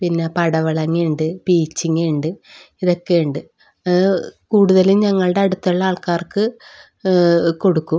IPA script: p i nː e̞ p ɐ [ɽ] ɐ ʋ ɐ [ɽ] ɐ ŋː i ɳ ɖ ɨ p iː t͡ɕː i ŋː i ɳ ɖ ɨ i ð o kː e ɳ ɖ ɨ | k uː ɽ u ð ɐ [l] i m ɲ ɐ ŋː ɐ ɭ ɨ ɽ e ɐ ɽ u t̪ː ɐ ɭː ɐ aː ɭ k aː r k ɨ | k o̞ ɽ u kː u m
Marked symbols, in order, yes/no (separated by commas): yes, no, yes